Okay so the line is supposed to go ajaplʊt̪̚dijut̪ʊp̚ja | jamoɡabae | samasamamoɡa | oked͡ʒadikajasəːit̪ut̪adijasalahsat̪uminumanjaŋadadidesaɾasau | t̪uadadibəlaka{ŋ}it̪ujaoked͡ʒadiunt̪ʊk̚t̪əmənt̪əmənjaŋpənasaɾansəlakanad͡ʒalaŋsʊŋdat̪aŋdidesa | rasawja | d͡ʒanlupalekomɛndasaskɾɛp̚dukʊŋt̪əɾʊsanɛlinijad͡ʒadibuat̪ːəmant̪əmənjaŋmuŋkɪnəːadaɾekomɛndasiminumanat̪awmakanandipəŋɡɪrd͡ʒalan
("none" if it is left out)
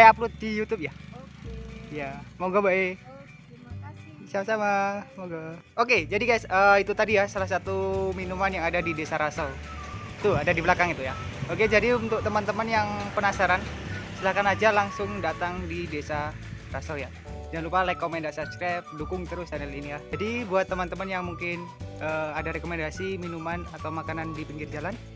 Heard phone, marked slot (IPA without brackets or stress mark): ŋ